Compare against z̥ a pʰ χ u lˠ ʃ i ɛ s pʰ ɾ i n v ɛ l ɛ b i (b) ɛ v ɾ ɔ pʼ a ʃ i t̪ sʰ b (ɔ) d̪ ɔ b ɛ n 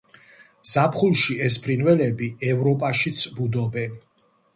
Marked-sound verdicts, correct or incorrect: incorrect, incorrect

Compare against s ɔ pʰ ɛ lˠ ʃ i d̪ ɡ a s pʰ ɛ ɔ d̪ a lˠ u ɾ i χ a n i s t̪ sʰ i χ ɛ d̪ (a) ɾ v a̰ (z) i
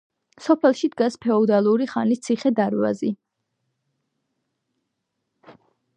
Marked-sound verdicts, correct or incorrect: correct, correct

